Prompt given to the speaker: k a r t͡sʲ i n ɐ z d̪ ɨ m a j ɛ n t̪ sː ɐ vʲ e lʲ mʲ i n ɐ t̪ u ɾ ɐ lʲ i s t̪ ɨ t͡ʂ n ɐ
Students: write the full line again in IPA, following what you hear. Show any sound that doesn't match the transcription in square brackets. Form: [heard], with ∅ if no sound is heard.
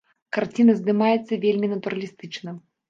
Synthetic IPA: k a r t͡sʲ i n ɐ z d̪ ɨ m a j ɛ [∅] t̪ sː ɐ vʲ e lʲ mʲ i n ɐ t̪ u ɾ ɐ lʲ i s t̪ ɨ t͡ʂ n ɐ